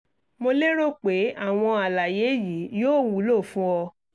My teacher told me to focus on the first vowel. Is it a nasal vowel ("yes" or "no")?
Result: no